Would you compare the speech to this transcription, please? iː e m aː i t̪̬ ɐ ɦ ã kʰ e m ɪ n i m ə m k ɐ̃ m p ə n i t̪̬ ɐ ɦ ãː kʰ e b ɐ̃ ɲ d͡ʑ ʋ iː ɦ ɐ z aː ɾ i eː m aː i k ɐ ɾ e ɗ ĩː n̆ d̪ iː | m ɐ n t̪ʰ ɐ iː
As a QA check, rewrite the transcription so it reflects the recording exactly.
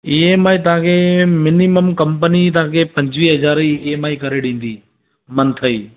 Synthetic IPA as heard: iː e m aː i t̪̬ ɐ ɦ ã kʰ e m ɪ n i m ə m k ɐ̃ m p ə n i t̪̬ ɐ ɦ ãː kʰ e p ɐ̃ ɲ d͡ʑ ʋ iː ɦ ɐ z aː ɾ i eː m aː i k ɐ ɾ e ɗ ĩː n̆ d̪ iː | m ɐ n t̪ʰ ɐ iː